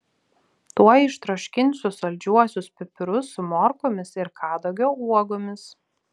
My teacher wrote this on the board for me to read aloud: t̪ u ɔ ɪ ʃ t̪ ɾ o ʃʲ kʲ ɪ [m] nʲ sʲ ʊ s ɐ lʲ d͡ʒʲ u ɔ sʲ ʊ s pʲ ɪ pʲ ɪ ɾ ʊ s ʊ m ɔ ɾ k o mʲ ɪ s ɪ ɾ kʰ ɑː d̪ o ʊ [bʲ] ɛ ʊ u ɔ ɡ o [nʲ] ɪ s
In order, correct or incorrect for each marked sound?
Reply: incorrect: none, incorrect: ɡʲ, incorrect: mʲ

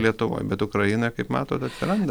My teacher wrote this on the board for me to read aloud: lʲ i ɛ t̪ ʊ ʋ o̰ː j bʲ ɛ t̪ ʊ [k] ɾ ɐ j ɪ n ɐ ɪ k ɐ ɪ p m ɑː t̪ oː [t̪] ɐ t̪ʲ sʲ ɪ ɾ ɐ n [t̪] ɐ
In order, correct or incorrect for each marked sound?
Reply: correct, correct, incorrect: d̪

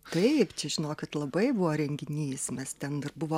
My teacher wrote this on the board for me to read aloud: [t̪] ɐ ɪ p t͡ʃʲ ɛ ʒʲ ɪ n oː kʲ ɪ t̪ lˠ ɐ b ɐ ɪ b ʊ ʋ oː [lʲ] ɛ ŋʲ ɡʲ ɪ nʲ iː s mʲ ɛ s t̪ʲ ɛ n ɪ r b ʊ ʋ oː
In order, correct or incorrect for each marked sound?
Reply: correct, incorrect: ɾʲ

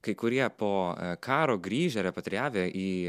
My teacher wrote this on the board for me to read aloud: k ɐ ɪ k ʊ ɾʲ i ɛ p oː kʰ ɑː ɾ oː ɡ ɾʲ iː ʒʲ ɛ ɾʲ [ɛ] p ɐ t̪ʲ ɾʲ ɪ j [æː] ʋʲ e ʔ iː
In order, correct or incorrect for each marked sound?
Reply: correct, correct

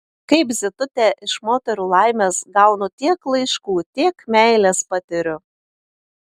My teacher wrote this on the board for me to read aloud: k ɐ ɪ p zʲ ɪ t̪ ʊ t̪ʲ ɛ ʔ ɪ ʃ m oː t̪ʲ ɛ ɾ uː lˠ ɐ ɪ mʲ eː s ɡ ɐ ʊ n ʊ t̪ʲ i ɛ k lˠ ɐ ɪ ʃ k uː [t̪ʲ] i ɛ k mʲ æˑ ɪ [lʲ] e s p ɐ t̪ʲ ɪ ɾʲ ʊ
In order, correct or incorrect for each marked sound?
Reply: correct, correct

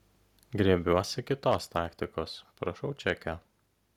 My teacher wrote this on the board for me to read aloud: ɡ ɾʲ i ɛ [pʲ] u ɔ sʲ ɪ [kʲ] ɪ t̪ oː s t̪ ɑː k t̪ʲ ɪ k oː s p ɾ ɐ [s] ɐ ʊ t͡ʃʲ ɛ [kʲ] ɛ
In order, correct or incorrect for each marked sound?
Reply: incorrect: bʲ, correct, incorrect: ʃ, correct

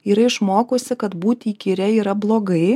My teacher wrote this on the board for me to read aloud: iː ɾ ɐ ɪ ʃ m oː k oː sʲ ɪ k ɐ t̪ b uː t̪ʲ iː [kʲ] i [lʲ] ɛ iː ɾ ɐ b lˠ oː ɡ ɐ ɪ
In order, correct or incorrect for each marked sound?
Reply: correct, incorrect: ɾʲ

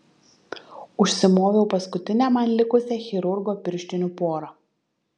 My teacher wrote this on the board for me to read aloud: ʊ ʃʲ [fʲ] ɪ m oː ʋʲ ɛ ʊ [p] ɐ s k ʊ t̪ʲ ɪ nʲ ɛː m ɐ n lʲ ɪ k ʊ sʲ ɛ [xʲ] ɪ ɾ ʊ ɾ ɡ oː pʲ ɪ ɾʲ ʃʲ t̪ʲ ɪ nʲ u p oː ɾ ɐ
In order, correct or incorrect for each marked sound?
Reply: incorrect: sʲ, correct, correct

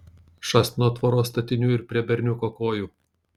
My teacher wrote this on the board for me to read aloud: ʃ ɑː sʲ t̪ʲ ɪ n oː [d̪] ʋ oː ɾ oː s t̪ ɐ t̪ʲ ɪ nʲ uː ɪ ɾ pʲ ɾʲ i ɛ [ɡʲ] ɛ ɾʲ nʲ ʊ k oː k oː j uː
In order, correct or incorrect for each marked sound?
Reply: incorrect: t̪, incorrect: bʲ

